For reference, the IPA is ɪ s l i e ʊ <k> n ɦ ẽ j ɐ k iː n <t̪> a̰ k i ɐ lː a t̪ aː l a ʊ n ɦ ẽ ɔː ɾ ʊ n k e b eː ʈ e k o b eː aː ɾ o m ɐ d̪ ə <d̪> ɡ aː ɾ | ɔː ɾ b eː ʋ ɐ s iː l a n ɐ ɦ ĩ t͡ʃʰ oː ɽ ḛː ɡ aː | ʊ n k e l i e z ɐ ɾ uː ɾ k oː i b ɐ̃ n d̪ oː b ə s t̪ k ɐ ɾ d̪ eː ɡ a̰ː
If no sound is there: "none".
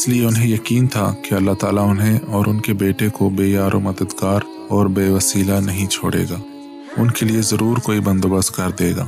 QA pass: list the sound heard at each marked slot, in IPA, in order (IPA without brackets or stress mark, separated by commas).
none, t̪ʰ, d̪